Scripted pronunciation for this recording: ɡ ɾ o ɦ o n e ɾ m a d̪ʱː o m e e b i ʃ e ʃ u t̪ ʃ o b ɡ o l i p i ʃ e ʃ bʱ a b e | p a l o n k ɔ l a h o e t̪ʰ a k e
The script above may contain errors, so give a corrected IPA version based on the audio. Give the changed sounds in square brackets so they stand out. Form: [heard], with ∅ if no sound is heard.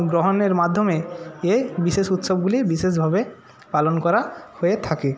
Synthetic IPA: ɡ ɾ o ɦ o n e ɾ m a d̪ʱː o m e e b i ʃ e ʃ u t̪ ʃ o b ɡ [u] l i [b] i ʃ e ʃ bʱ a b e | p a l o n k ɔ [ɾ] a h o e t̪ʰ a k e